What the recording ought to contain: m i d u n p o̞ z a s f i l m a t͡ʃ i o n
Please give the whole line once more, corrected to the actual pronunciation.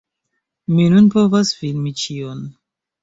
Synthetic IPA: m i n u n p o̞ v a s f i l m i t͡ʃ i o n